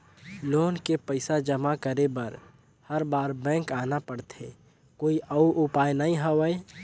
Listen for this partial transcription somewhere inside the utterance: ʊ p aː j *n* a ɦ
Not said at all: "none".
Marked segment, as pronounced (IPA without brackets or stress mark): n